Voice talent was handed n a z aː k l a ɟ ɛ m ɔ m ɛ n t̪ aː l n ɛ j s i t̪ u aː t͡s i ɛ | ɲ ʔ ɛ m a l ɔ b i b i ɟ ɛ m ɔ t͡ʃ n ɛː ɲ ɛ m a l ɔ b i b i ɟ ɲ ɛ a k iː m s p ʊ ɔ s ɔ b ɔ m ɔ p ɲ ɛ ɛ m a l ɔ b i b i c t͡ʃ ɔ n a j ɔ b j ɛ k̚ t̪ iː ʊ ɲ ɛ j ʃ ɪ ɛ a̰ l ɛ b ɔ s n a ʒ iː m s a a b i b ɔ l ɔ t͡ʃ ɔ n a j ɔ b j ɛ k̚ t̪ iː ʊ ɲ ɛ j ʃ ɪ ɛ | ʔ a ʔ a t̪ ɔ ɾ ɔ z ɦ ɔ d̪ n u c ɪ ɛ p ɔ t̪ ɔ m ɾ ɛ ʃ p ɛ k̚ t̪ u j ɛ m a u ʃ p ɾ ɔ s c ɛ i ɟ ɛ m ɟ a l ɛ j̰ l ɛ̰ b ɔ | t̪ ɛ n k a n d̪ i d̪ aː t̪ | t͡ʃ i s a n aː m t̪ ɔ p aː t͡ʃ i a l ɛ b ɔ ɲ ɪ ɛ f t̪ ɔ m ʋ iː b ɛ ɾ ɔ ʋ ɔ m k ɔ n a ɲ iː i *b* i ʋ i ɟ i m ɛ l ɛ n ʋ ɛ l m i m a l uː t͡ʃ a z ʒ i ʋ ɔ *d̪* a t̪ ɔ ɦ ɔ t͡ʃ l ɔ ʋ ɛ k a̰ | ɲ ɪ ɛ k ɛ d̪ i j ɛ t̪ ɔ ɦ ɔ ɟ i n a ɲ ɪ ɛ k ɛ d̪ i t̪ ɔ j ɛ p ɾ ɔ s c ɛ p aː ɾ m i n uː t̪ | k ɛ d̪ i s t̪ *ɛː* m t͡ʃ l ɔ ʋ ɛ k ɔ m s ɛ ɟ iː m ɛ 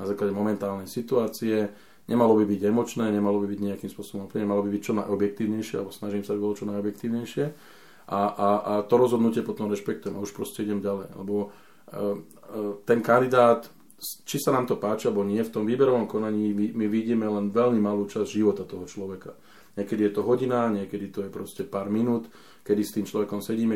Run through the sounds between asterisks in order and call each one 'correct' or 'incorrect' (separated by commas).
incorrect, incorrect, incorrect